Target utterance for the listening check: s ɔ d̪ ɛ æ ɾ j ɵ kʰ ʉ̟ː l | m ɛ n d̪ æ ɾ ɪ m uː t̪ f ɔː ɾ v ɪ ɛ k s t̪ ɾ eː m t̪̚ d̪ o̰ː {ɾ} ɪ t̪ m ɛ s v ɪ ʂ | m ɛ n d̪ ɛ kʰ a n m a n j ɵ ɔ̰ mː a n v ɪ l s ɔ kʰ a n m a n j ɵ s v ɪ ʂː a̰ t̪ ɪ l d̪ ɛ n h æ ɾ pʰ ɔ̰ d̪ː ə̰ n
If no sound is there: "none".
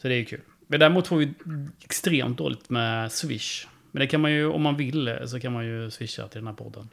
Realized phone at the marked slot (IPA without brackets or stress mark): l